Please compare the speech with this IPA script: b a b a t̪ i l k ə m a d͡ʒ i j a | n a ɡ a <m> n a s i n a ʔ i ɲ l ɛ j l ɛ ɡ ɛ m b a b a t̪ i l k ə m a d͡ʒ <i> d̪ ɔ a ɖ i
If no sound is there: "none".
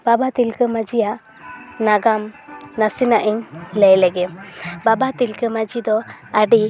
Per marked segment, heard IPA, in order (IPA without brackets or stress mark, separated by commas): m, i